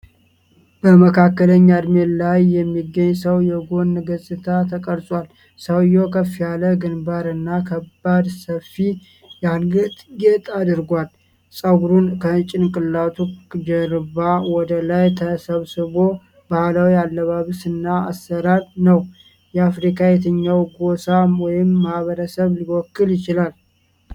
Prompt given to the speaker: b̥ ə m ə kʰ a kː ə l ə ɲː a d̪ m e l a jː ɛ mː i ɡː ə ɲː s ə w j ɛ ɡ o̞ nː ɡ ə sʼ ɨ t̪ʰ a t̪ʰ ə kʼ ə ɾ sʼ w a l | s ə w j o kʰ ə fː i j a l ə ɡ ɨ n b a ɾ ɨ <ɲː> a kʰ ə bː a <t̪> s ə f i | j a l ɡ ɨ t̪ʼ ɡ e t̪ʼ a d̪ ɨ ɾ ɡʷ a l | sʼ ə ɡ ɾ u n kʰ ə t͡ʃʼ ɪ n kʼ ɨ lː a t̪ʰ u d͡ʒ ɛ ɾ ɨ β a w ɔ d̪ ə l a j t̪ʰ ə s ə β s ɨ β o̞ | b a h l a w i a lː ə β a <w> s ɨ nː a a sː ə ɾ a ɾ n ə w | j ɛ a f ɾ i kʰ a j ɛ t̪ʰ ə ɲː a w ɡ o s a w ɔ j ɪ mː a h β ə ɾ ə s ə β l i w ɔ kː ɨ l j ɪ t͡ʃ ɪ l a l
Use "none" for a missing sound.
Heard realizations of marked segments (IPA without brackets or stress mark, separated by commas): nː, d̪, β